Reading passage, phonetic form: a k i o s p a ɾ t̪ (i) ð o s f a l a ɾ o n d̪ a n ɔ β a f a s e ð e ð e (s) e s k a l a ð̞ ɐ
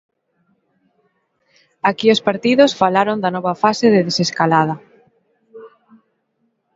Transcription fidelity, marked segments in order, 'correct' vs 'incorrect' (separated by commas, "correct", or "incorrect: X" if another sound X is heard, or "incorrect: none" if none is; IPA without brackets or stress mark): correct, correct